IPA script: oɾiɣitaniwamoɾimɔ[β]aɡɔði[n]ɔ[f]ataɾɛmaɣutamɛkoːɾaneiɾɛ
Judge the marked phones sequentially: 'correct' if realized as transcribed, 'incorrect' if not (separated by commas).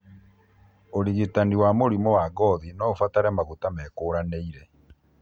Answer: incorrect, correct, correct